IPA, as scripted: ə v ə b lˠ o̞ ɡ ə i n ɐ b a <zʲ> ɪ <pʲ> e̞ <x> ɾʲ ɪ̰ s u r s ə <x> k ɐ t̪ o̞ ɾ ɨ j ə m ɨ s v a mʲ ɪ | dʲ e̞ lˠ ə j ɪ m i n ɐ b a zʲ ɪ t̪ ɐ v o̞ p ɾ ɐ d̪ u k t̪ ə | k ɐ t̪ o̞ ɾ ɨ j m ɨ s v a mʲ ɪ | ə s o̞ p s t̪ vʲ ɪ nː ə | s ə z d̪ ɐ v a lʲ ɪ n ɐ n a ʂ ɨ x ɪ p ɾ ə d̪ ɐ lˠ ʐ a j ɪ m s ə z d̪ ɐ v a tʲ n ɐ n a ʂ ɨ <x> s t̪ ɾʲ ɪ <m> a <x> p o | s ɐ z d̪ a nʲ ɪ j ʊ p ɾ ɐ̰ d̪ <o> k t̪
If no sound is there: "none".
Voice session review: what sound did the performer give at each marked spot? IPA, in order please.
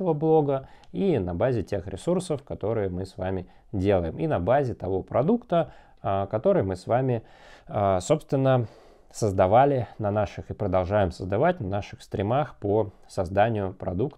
zʲ, tʲ, x, f, x, m, x, u

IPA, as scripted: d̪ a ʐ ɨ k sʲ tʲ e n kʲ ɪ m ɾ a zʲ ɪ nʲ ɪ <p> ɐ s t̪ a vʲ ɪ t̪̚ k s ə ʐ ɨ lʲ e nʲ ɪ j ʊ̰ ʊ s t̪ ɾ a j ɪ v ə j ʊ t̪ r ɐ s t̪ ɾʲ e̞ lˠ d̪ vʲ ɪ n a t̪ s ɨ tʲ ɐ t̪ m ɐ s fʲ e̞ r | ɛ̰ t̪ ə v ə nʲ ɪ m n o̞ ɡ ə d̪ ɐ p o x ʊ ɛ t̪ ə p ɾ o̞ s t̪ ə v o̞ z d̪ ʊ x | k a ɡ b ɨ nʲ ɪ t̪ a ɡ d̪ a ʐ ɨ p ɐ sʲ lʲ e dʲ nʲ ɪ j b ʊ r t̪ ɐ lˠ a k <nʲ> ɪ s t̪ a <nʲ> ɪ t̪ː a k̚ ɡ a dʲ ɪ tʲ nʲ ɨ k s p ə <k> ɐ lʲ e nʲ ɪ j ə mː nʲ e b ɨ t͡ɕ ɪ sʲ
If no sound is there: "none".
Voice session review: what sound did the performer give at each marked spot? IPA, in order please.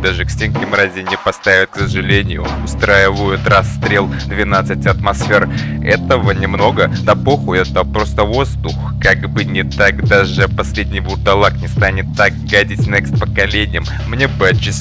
p, nʲ, nʲ, k

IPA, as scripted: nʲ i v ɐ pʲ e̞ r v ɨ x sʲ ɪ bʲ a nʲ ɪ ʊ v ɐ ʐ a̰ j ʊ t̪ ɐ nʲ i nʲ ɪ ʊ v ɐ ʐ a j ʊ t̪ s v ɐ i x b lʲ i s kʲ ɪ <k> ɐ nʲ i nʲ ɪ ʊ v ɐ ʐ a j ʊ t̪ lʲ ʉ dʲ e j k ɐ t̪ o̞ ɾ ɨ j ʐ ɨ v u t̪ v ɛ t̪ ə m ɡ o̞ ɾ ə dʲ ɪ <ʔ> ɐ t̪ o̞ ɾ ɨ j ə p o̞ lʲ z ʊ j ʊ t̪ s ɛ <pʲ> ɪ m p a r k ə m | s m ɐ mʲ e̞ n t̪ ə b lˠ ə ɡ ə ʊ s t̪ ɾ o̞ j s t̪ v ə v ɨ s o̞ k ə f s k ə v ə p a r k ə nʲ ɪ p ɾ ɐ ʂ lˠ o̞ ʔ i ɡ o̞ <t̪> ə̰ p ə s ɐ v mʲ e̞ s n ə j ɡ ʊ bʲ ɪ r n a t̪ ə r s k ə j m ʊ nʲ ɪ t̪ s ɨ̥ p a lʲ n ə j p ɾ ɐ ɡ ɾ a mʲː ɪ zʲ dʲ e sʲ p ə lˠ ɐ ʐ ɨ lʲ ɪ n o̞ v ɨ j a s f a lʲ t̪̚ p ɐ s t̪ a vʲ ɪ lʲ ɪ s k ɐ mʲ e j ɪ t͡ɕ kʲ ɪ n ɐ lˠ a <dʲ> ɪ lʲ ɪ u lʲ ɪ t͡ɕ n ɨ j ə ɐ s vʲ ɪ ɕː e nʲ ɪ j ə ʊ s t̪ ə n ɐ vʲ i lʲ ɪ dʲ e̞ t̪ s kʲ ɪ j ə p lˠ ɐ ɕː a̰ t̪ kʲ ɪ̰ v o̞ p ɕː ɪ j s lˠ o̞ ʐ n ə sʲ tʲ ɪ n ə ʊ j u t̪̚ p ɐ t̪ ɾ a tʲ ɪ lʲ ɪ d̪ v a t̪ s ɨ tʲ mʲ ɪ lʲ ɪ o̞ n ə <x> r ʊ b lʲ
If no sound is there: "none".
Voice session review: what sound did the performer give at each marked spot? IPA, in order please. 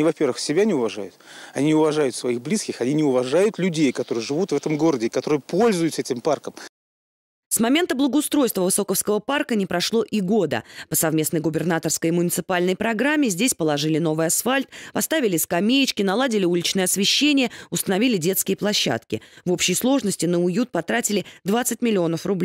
x, k, tʲ, d̪, dʲ, f

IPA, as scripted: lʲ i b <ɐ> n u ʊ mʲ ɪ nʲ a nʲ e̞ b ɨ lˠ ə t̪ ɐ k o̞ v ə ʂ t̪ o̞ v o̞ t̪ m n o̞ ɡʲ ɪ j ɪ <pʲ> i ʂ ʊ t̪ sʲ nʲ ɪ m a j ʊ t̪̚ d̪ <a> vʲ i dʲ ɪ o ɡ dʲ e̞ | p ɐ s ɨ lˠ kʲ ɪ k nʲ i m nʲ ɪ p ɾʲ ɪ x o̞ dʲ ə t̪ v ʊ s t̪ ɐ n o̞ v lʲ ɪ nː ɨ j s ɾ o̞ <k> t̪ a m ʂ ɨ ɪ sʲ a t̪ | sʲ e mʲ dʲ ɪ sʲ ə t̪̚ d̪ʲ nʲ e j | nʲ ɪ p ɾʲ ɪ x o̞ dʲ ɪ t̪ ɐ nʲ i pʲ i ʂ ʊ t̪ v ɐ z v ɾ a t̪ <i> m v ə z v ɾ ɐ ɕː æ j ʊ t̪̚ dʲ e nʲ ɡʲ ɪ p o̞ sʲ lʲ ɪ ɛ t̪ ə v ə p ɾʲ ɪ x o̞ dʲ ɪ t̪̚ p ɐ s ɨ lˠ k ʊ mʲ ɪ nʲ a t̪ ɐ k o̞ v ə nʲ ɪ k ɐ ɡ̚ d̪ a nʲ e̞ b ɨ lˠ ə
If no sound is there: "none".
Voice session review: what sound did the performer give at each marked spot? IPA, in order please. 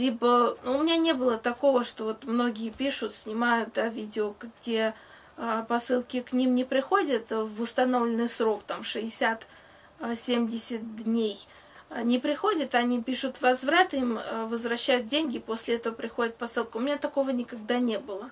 ə, pʲ, a, k, i

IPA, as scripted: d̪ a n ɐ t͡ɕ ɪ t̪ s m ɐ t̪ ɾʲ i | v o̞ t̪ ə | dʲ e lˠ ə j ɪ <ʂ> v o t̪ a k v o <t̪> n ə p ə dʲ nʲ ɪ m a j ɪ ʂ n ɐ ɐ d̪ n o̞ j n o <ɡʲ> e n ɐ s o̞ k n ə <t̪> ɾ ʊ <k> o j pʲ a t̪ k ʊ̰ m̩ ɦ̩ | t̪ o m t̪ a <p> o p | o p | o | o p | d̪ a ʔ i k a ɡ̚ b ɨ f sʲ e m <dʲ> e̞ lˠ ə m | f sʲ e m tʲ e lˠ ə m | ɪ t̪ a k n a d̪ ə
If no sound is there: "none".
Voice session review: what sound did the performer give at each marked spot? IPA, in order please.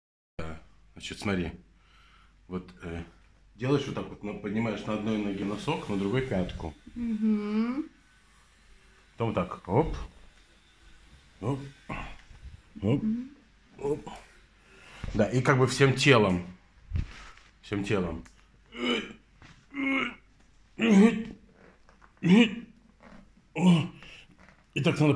ʂ, t̪, ɡʲ, d̪, ɡ, k, tʲ

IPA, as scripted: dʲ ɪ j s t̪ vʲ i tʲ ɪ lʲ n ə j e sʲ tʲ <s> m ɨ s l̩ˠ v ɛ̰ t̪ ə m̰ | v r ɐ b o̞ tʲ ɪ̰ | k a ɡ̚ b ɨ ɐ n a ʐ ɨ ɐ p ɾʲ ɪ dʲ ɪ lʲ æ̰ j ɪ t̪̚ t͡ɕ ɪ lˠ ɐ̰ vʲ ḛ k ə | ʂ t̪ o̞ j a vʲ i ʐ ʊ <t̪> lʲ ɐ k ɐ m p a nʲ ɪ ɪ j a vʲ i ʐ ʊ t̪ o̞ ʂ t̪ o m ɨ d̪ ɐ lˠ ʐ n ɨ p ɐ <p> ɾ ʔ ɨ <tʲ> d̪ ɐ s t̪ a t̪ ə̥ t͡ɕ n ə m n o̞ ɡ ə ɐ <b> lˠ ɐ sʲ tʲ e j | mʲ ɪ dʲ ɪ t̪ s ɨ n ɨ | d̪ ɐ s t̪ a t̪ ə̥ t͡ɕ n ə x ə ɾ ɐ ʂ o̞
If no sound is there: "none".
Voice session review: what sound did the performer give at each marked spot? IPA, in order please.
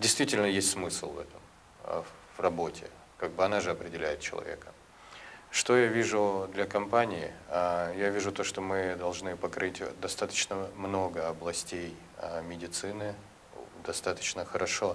s, d̪, k, tʲ, b

